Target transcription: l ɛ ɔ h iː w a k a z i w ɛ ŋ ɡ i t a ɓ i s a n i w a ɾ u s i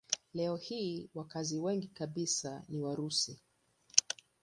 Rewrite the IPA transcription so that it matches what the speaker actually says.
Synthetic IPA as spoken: l ɛ ɔ h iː w a k a z i w ɛ ŋ ɡ i k a ɓ i s a n i w a ɾ u s i

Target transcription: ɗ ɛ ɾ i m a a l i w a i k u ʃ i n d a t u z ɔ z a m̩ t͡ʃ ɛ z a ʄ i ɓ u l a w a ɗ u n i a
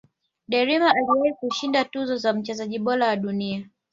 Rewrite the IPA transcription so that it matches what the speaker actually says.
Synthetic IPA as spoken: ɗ ɛ ɾ i m a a l i w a i k u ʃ i n d a t u z ɔ z a m̩ t͡ʃ ɛ z a ʄ i ɓ ɔ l a w a ɗ u n i a

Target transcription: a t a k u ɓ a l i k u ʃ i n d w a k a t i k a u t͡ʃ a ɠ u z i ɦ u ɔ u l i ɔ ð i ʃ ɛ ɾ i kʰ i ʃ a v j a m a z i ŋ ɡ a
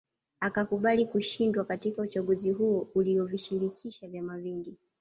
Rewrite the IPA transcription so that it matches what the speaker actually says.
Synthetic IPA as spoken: a k a k u ɓ a l i k u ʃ i n d w a k a t i k a u t͡ʃ a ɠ u z i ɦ u ɔ u l i ɔ v i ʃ i ɾ i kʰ i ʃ a v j a m a v i ŋ ɡ i

